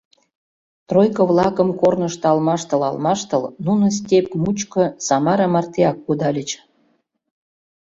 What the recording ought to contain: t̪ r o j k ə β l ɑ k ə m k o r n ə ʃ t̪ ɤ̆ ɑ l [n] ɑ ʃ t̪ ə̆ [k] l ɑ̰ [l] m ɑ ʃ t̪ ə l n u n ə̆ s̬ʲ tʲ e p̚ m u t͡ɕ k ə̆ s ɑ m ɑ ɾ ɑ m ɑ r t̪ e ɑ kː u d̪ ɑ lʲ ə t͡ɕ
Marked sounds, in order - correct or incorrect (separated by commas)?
incorrect, incorrect, correct